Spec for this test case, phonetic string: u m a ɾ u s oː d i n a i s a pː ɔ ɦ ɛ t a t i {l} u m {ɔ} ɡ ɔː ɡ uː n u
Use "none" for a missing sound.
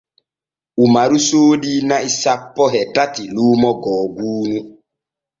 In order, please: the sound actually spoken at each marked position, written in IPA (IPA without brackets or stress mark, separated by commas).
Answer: l, ɔ